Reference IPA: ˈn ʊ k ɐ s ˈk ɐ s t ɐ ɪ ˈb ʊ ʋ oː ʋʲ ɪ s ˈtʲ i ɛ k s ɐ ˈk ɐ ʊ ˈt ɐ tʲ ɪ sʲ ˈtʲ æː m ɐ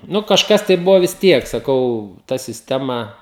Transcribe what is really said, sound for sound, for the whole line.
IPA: ˈn ʊ k ɐ ʃ ˈk ɐ s t ɐ ɪ ˈb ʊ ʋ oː ʋʲ ɪ s ˈtʲ i ɛ k s ɐ ˈk ɐ ʊ ˈt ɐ sʲ ɪ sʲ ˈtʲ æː m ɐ